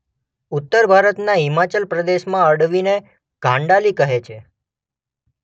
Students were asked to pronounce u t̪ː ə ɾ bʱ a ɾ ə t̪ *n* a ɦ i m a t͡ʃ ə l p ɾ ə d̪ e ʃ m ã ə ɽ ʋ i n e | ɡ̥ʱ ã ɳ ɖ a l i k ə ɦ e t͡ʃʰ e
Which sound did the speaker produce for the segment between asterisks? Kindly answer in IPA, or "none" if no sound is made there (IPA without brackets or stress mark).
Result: n